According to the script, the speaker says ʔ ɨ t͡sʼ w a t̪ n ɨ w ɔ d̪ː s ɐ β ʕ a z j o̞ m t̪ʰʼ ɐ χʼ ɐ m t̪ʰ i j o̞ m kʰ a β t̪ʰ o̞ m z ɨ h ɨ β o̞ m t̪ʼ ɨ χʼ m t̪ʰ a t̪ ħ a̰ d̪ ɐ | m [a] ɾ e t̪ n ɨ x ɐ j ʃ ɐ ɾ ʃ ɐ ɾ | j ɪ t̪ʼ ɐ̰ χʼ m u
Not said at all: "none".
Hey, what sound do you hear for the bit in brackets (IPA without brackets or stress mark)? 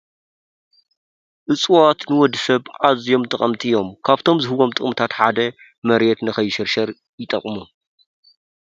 ɐ